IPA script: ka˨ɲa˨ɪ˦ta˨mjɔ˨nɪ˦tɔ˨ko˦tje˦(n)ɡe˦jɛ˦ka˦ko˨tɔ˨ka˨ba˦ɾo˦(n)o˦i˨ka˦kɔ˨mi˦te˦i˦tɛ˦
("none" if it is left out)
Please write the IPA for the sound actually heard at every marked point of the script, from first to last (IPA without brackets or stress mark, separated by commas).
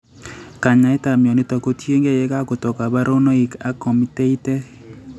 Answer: ŋ, n